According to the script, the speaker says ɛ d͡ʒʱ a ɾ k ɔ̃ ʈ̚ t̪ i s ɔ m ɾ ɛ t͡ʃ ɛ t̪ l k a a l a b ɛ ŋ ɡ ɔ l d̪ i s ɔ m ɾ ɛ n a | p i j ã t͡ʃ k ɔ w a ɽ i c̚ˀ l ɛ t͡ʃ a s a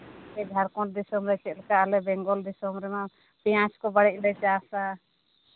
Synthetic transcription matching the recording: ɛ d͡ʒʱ a ɾ k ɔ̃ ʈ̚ d̪ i s ɔ m ɾ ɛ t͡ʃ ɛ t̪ l k a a l ɛ b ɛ ŋ ɡ ɔ l d̪ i s ɔ m ɾ ɛ m a | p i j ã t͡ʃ k ɔ b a ɽ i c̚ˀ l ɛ t͡ʃ a s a